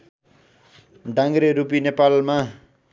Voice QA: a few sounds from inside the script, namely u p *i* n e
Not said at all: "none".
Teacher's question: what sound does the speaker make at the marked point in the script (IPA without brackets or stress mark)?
i